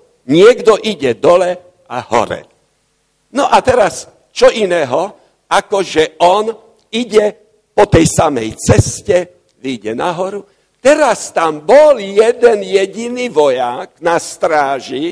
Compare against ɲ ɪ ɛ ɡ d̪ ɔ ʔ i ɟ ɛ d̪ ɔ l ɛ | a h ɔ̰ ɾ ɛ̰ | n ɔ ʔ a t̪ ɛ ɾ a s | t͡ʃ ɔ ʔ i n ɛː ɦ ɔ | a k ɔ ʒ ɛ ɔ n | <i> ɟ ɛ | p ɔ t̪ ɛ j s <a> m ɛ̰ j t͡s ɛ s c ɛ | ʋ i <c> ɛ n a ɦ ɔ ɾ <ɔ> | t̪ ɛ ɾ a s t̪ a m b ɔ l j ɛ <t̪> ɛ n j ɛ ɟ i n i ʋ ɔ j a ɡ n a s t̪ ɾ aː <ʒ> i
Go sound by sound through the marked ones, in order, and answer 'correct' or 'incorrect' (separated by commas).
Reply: correct, correct, incorrect, incorrect, incorrect, correct